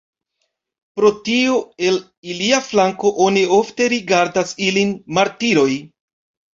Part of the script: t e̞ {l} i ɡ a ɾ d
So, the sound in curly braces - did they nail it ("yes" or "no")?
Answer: no